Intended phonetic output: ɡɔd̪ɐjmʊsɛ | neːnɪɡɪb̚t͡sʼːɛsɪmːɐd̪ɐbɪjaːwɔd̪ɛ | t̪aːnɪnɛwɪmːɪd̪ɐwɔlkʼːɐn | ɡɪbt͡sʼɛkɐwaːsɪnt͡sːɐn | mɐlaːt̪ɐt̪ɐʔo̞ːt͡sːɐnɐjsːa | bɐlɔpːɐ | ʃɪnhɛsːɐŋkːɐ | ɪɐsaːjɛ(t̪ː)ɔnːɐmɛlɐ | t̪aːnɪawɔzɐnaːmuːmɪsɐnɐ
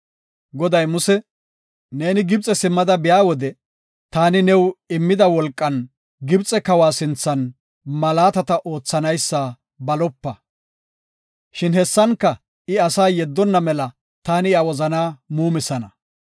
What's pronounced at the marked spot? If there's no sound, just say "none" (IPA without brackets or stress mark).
d̪ː